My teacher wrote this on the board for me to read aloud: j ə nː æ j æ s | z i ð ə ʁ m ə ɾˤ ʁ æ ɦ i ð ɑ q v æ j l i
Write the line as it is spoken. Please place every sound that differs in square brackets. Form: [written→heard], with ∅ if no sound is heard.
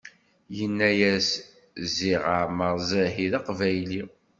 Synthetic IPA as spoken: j ə nː æ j æ s | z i [ð→ʁ] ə [ʁ→ʕ] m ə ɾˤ [ʁ→z] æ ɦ i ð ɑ q v æ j l i